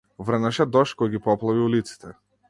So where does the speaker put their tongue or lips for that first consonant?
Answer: lips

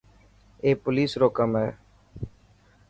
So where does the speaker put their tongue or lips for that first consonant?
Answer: lips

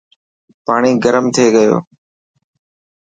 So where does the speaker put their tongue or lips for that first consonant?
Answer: lips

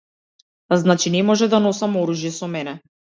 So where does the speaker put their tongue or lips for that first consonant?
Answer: tongue tip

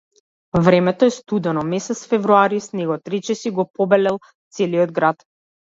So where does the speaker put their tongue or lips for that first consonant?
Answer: lips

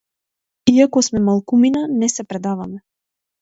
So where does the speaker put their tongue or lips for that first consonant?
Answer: velum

